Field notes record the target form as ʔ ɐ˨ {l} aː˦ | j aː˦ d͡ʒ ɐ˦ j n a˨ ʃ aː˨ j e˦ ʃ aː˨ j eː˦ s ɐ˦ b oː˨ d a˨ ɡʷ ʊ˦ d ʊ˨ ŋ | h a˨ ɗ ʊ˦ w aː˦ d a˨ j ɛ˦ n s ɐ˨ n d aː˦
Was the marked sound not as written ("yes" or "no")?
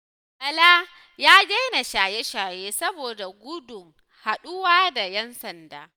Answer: no